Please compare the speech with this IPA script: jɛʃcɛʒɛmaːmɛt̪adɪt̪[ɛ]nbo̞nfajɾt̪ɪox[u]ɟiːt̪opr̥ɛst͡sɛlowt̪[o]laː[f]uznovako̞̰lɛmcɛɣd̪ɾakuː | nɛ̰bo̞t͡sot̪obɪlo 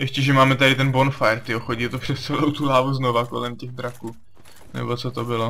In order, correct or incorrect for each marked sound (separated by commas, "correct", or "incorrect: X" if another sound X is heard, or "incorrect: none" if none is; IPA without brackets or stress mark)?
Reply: correct, incorrect: o, incorrect: u, incorrect: v